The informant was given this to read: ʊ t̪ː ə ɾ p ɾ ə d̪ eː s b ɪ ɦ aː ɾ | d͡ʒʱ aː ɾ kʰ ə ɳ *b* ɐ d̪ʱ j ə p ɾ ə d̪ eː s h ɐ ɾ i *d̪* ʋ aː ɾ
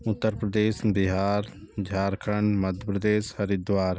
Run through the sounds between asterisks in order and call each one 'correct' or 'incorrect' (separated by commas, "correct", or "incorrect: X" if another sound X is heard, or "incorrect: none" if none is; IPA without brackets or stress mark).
incorrect: m, correct